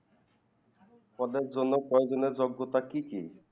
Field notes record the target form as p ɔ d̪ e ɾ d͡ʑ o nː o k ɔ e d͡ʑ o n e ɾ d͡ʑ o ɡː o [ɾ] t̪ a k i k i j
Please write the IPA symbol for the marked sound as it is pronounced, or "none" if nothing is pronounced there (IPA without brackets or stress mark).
none